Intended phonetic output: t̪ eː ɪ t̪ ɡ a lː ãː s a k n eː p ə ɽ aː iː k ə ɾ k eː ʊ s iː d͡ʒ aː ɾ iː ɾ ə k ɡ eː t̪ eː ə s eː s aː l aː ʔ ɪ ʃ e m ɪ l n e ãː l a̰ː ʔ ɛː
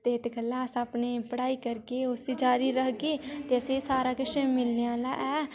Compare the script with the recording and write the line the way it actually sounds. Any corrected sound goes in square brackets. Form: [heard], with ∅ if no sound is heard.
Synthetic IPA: t̪ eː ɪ t̪ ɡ [ə] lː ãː s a [p] n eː p ə ɽ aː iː k ə ɾ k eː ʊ s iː d͡ʒ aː ɾ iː ɾ ə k ɡ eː t̪ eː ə s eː s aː [ɾ] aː [k] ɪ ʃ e m ɪ l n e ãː l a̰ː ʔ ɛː